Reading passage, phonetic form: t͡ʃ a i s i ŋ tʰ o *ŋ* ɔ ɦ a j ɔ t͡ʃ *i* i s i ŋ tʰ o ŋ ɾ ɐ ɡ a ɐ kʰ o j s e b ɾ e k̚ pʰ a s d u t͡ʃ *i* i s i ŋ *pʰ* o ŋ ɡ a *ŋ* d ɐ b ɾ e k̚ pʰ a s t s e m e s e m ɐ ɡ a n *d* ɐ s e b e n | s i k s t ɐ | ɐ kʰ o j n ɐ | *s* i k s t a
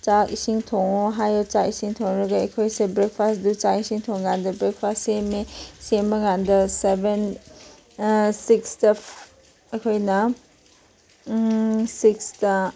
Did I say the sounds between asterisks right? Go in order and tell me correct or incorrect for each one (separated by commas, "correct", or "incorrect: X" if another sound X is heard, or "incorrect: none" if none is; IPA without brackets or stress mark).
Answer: correct, incorrect: a, incorrect: a, incorrect: tʰ, incorrect: n, correct, correct